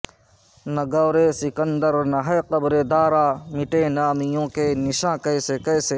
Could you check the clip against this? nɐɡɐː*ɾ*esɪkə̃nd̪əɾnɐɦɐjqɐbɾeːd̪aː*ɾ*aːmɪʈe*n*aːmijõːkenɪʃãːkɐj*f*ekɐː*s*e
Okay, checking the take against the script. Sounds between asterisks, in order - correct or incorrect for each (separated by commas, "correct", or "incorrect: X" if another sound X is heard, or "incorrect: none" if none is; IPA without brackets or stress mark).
correct, correct, correct, incorrect: s, correct